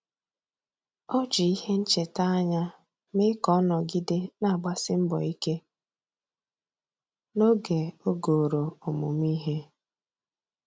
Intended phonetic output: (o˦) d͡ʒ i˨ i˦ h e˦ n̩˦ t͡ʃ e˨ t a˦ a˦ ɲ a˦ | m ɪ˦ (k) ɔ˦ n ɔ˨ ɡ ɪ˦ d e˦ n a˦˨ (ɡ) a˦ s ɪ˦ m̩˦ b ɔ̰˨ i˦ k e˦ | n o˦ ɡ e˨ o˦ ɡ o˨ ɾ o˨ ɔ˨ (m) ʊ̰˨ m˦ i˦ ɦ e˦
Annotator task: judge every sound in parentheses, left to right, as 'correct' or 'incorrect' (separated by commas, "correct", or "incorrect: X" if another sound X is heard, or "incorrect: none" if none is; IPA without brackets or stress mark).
incorrect: ɔ˦, correct, incorrect: ɡ͡b, correct